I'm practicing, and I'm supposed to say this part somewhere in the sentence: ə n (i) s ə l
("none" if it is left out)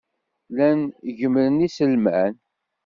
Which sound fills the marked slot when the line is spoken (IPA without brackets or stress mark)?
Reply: i